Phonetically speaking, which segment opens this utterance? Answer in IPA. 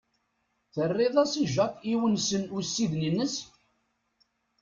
θ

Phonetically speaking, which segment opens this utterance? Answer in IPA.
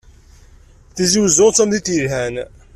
θ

